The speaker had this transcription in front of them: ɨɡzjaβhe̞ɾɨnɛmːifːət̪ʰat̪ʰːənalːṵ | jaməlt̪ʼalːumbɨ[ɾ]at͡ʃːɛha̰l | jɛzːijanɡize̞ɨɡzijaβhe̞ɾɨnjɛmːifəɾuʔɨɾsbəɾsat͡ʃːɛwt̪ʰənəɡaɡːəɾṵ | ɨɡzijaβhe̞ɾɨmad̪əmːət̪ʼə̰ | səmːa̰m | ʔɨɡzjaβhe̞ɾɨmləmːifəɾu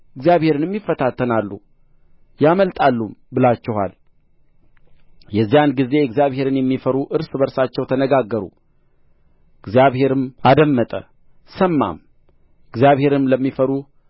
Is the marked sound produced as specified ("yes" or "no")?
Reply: no